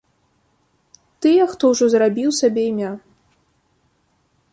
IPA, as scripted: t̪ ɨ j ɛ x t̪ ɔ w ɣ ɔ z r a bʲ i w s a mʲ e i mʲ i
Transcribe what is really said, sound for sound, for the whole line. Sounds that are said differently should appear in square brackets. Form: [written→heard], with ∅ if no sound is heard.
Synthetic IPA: t̪ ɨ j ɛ x t̪ ɔ w [ɣ→ʐ] ɔ z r a bʲ i w s a [mʲ→bʲ] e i mʲ [i→a]